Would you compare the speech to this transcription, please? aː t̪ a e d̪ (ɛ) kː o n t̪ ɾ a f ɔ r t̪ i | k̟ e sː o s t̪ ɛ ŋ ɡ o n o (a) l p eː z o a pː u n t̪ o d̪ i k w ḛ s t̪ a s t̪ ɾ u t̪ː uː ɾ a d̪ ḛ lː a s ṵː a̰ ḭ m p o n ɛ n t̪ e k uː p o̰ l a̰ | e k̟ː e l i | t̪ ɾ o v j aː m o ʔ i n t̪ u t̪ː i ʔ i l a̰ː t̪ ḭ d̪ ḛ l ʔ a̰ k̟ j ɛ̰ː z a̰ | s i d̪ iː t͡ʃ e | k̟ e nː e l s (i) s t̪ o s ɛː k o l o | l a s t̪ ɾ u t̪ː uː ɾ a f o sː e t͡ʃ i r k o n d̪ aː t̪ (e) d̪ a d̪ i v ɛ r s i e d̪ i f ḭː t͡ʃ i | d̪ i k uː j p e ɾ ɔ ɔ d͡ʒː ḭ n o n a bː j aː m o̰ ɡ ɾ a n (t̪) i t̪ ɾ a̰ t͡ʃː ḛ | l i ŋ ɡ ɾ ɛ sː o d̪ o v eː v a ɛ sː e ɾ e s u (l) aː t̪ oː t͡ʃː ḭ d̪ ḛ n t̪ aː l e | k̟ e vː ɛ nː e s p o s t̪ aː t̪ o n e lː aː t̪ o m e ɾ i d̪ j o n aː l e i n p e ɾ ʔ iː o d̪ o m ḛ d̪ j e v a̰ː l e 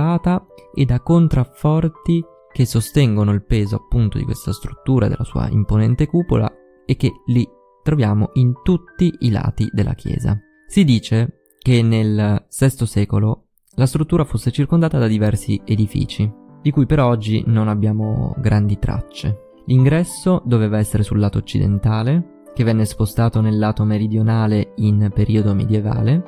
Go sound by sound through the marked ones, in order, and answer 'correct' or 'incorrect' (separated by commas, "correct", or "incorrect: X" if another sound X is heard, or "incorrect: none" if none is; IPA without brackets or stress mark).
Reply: incorrect: a, incorrect: i, incorrect: ɛ, incorrect: a, incorrect: d̪, incorrect: lː